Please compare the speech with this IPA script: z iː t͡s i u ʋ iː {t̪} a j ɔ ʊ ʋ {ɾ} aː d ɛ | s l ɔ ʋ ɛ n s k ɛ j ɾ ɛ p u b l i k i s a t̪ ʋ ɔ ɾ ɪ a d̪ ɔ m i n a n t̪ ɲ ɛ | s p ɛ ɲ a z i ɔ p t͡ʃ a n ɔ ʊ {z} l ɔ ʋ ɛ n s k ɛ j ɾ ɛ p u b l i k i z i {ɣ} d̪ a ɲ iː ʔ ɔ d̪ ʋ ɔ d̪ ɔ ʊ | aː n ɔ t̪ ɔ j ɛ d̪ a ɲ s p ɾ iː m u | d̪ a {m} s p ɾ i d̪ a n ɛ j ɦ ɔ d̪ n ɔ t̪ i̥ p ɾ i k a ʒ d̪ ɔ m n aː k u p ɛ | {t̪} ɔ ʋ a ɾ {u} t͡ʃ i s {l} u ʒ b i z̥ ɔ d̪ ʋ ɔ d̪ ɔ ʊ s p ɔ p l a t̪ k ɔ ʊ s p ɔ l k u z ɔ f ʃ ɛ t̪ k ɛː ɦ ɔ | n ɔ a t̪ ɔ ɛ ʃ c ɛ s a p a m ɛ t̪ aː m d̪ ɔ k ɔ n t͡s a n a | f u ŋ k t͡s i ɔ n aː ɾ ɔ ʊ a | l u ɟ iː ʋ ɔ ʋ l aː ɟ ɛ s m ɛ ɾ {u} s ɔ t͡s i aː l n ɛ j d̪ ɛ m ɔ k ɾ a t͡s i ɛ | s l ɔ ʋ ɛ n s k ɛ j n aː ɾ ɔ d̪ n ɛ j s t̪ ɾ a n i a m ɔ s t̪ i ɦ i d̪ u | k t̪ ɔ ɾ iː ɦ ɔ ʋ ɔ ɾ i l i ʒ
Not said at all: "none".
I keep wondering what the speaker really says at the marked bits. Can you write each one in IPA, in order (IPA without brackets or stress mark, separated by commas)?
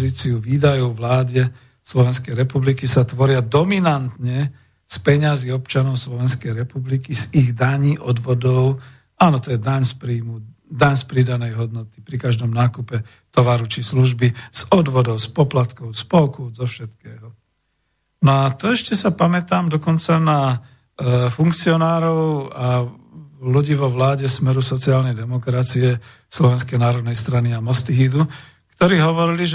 d̪, l, s, ɣ, ɲ, t̪, u, l, u